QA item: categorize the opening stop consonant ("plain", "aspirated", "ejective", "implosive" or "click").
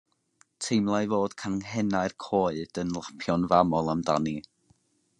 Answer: aspirated